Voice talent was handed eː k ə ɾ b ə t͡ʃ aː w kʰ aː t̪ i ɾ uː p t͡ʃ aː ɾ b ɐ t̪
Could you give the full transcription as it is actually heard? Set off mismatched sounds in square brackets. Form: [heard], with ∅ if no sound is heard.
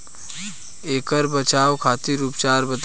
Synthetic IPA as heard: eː k ə ɾ b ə t͡ʃ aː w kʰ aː t̪ i ɾ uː p t͡ʃ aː ɾ b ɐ t̪